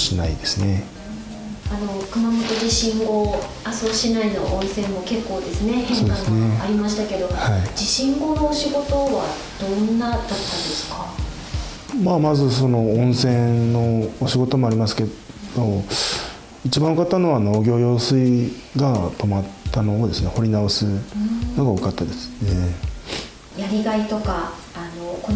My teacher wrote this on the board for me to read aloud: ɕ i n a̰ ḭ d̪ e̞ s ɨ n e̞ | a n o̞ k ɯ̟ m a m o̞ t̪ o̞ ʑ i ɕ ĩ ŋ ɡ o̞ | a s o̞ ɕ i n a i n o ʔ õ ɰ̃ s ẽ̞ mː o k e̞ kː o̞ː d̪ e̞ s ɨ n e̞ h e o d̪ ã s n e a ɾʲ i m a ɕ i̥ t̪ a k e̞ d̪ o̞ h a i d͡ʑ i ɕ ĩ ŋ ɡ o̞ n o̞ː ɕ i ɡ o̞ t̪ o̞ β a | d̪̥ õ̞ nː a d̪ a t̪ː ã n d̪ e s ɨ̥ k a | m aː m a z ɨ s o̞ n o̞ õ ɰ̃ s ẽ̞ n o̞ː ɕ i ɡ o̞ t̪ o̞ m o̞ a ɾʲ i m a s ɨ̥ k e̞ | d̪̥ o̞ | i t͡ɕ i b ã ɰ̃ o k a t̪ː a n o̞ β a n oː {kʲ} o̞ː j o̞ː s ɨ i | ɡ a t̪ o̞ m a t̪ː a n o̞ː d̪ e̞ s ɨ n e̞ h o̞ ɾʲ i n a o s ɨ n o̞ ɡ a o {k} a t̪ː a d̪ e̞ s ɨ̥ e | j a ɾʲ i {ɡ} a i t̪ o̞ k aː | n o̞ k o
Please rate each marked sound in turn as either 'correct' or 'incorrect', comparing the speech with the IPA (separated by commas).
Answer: incorrect, correct, correct